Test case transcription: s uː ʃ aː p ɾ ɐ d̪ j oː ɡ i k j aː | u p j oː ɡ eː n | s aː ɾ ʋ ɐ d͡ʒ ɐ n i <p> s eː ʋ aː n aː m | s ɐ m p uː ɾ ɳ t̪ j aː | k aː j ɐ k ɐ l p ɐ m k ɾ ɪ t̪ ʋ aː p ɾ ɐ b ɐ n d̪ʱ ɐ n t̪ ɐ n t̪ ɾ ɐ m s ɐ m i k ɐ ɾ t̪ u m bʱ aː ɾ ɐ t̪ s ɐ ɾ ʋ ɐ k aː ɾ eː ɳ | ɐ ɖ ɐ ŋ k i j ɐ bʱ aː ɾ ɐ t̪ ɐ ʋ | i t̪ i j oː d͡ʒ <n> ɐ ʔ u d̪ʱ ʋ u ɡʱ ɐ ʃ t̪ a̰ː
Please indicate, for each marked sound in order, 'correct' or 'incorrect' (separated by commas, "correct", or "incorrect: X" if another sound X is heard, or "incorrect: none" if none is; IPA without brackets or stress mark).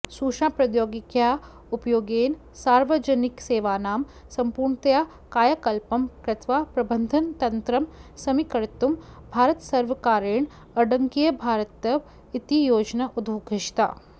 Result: incorrect: k, correct